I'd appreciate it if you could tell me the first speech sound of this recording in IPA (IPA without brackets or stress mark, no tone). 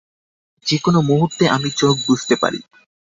d͡ʑ